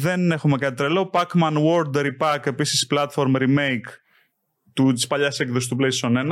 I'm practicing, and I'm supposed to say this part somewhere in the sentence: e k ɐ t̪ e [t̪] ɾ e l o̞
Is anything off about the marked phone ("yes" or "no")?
no